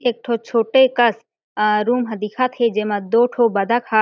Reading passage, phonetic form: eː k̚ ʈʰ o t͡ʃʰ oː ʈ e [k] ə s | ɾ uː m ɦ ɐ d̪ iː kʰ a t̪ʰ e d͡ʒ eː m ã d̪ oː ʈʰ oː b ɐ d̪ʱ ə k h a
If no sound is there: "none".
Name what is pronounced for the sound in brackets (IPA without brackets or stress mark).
k